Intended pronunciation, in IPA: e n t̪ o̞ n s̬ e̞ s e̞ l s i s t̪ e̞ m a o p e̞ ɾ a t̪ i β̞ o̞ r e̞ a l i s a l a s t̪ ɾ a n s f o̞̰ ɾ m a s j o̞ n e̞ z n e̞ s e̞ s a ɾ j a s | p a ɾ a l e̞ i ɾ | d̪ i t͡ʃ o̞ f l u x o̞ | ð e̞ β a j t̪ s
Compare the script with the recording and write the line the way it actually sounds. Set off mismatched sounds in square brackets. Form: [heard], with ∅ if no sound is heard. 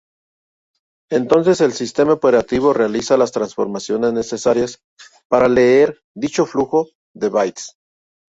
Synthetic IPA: e n t̪ o̞ n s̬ e̞ s e̞ l s i s t̪ e̞ m a o p e̞ ɾ a t̪ i β̞ o̞ r e̞ a l i s a l a s t̪ ɾ a n s f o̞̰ ɾ m a s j o̞ n e̞ z n e̞ s e̞ s a ɾ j a s | p a ɾ a l e̞ [e] ɾ | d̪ i t͡ʃ o̞ f l u x o̞ | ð e̞ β a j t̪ s